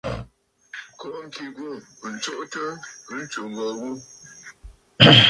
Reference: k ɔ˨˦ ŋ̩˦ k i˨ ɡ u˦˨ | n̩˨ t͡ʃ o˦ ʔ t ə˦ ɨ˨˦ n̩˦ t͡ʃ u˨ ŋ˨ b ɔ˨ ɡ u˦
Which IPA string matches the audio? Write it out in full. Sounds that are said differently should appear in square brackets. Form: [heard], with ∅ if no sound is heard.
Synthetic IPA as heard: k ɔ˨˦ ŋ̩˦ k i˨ ɡ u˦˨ | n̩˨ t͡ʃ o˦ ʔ t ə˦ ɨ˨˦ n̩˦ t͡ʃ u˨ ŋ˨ [ɡ] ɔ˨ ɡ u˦